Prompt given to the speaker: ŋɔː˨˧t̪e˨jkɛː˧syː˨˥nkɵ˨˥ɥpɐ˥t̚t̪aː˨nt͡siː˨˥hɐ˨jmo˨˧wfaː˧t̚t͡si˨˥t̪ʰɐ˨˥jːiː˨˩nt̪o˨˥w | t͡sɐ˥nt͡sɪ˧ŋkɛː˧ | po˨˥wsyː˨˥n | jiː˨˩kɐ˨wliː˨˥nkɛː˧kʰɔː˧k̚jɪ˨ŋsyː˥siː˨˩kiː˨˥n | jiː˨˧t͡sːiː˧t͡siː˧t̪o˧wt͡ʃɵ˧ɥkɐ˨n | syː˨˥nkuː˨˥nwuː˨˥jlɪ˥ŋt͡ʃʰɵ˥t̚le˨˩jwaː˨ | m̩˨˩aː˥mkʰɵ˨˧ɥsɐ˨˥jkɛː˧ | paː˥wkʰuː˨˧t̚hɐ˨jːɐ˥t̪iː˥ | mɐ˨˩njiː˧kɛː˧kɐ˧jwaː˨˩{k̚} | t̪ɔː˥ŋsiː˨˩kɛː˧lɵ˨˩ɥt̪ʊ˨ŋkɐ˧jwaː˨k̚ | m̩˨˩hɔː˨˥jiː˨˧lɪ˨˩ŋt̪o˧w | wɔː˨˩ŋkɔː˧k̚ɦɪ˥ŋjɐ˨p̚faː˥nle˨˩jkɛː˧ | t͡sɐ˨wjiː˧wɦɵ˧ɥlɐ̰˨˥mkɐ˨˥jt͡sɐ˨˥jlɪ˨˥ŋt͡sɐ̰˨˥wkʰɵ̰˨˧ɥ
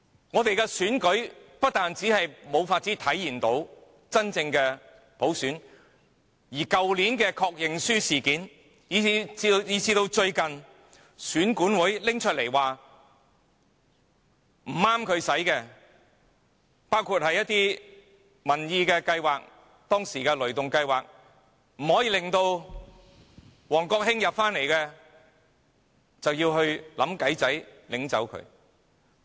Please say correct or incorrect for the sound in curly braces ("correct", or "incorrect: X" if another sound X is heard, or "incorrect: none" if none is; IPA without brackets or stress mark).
correct